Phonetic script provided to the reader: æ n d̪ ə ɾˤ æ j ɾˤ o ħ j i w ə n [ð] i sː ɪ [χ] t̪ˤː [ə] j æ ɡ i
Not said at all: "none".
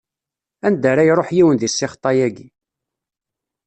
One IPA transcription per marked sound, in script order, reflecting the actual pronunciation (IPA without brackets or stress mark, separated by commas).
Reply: ð, χ, ɑ